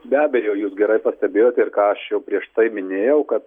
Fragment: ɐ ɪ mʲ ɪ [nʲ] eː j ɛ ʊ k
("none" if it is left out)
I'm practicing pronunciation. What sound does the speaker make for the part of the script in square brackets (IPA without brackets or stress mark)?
nʲ